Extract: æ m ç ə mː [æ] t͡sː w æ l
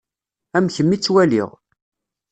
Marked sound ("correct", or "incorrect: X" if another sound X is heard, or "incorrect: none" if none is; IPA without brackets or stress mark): incorrect: i